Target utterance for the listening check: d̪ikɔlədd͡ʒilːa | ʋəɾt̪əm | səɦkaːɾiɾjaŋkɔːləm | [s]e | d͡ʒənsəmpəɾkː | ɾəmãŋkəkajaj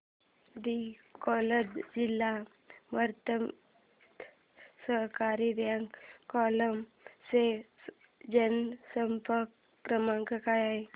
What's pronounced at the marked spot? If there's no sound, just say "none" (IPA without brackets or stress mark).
s